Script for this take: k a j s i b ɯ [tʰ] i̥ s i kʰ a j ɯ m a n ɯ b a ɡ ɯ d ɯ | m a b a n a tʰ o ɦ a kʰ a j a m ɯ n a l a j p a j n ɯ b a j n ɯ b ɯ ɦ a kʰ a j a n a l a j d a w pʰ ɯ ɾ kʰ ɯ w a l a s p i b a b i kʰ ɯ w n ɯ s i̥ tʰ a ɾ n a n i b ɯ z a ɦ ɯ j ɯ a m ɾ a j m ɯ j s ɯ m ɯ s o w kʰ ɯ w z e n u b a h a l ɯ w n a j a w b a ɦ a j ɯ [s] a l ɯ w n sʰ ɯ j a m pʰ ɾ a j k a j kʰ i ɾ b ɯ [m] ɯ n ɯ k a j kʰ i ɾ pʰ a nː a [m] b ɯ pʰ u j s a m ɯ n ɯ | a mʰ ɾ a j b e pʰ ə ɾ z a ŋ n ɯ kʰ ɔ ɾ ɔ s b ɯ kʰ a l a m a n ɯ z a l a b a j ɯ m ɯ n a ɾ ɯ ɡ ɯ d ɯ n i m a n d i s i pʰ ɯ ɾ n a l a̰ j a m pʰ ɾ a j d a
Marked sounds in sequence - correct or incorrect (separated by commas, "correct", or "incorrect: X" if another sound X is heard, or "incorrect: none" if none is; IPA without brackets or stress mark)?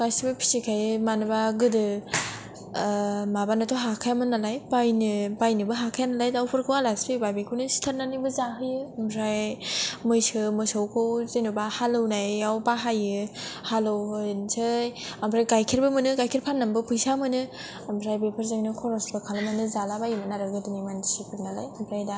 incorrect: pʰ, incorrect: h, correct, correct